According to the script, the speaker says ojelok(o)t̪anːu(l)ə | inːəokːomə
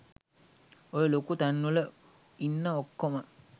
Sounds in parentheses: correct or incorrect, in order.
incorrect, correct

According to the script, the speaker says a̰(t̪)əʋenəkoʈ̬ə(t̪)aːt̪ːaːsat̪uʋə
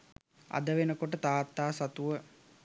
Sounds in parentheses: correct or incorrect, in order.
incorrect, correct

